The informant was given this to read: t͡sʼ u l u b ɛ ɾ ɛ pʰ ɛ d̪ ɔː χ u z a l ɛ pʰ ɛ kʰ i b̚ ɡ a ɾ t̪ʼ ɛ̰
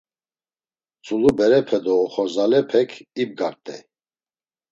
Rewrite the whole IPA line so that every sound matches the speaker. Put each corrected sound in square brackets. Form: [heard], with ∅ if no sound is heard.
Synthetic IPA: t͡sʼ u l u b ɛ ɾ ɛ pʰ ɛ d̪ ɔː χ [ɔ] z a l ɛ pʰ ɛ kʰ i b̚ ɡ a ɾ t̪ʼ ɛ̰